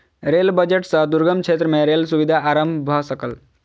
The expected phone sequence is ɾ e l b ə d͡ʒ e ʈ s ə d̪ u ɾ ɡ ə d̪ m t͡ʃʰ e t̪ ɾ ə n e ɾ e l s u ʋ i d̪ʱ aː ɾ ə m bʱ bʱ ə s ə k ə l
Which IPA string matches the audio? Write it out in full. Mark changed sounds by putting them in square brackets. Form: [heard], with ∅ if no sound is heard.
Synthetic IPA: ɾ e l b ə d͡ʒ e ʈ s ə d̪ u ɾ ɡ ə [∅] m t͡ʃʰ e t̪ ɾ ə [m] e ɾ e l s u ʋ i d̪ʱ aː ɾ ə m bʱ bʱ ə s ə k ə l